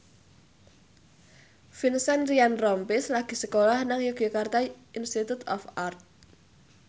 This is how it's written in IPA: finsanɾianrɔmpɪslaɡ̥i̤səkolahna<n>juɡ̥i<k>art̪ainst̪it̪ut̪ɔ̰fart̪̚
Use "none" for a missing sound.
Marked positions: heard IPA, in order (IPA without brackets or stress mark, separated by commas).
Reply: ŋ, k